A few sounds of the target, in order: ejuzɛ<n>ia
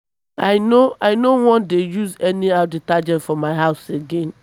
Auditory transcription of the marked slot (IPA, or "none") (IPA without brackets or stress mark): n